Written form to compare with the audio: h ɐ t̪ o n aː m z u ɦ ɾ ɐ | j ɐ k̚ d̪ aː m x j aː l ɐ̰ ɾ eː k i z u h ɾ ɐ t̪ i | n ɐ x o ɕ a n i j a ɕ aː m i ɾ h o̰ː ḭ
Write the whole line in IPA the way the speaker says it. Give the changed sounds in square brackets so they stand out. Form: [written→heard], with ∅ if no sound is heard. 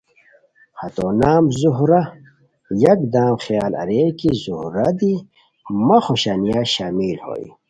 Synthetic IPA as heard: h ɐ t̪ o n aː m z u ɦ ɾ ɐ | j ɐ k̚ d̪ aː m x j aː l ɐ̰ ɾ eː k i z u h ɾ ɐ [t̪→d̪] i | [n→m] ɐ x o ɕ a n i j a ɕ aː m i [ɾ→l] h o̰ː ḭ